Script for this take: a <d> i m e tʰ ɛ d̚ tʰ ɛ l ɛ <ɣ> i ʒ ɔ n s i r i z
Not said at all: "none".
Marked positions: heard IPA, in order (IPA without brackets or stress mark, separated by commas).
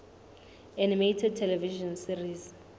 n, v